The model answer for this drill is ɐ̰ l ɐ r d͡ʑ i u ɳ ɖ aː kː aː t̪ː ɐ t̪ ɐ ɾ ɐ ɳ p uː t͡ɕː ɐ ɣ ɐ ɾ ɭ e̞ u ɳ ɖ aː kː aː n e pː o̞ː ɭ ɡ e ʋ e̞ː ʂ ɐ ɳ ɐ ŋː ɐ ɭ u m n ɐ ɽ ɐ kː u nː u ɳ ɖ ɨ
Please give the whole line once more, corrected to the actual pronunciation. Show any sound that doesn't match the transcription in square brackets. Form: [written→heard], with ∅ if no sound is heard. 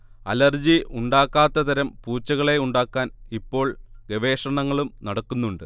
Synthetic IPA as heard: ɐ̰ l ɐ r d͡ʑ i u ɳ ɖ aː kː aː t̪ː ɐ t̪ ɐ ɾ ɐ [ɳ→m] p uː t͡ɕː ɐ ɣ ɐ [ɾ→∅] ɭ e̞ u ɳ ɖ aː kː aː n [e→i] pː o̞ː ɭ ɡ e ʋ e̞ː ʂ ɐ ɳ ɐ ŋː ɐ ɭ u m n ɐ ɽ ɐ kː u nː u ɳ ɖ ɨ